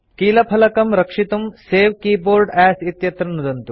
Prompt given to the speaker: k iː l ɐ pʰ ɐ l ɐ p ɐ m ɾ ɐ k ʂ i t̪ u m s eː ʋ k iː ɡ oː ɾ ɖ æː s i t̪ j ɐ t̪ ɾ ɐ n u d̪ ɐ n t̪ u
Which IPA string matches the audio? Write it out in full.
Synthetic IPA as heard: k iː l ɐ pʰ ɐ l ɐ k ɐ m ɾ ɐ k ʂ i t̪ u m s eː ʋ k iː b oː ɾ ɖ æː s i t̪ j ɐ t̪ ɾ ɐ n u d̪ ɐ n t̪ u